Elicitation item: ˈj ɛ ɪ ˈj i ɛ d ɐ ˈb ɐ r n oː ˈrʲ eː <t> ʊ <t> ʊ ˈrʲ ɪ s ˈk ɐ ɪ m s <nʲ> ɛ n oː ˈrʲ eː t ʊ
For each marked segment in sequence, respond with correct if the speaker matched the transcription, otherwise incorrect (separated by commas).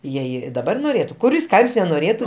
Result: correct, incorrect, correct